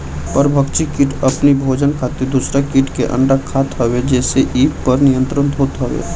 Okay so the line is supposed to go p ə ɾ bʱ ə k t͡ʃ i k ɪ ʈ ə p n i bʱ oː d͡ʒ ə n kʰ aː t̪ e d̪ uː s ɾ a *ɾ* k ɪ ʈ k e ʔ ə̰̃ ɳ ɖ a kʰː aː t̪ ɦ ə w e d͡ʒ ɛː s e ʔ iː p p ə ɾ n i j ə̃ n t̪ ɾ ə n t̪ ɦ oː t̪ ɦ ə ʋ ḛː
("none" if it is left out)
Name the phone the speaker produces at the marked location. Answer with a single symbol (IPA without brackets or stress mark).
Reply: none